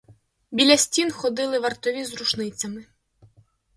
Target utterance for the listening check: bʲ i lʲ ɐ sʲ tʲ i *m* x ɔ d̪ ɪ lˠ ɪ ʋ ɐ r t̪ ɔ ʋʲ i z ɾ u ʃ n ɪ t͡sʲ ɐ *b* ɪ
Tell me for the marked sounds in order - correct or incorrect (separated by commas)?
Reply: incorrect, incorrect